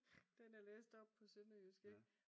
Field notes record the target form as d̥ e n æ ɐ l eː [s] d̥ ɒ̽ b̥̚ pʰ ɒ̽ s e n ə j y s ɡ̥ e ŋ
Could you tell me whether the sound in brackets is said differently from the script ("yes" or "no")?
no